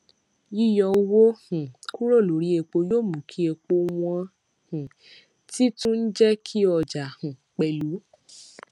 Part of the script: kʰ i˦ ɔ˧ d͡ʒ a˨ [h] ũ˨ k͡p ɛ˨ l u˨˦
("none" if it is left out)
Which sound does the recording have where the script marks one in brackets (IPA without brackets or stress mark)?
h